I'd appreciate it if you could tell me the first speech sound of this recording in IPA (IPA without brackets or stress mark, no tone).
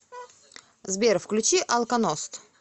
z